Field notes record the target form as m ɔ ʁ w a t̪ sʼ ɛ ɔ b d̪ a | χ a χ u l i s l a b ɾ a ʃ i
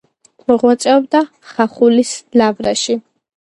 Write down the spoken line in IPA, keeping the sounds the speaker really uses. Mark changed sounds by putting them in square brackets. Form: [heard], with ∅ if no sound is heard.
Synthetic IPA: m ɔ ʁ w a t̪ sʼ ɛ ɔ b d̪ a | χ a χ u l i s l a [v] ɾ a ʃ i